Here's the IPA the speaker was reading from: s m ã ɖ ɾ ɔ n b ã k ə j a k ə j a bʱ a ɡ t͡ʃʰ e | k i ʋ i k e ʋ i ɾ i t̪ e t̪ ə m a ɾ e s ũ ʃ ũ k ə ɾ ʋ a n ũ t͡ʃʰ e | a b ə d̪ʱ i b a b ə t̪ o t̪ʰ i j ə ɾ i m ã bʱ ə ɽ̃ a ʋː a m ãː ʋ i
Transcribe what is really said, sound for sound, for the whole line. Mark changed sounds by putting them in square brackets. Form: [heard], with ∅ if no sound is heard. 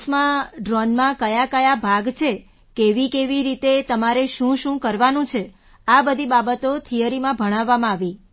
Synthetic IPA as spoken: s m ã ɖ ɾ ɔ n [m] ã k ə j a k ə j a bʱ a ɡ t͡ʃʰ e | k [e] ʋ i k e ʋ i ɾ i t̪ e t̪ ə m a ɾ e [ʃ] ũ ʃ ũ k ə ɾ ʋ a n ũ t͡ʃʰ e | a b ə d̪ʱ i b a b ə t̪ o t̪ʰ i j ə ɾ i m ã bʱ ə ɽ̃ a ʋː a m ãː ʋ i